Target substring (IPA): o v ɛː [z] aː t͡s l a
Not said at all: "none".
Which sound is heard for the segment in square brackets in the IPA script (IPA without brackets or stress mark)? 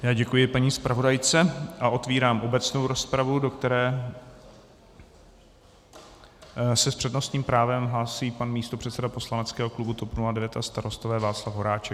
v